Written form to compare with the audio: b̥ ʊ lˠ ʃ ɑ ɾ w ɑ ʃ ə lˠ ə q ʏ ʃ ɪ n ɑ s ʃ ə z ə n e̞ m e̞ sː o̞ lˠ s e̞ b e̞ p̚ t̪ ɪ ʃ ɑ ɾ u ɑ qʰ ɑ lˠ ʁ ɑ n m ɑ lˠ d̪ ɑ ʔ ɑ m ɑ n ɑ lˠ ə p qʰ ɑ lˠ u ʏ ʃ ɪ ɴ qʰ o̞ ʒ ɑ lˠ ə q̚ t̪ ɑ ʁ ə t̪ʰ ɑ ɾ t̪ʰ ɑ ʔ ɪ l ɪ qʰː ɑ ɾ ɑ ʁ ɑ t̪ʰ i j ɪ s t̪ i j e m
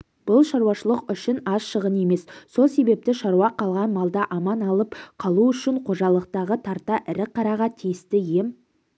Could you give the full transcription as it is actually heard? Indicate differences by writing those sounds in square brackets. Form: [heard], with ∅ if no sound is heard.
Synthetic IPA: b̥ ʊ lˠ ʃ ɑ ɾ w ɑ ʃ ə lˠ ə q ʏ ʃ ɪ n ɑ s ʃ ə [ʁ] ə n e̞ m e̞ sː o̞ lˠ s e̞ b e̞ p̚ t̪ ɪ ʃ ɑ ɾ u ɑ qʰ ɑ lˠ ʁ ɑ n m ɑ lˠ d̪ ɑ ʔ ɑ m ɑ n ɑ lˠ ə p qʰ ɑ lˠ u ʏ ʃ ɪ ɴ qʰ o̞ ʒ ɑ lˠ ə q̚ t̪ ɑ ʁ ə t̪ʰ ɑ ɾ [t̪] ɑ ʔ ɪ [ɾ] ɪ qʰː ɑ ɾ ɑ ʁ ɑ t̪ʰ i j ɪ s t̪ [ɪ] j e m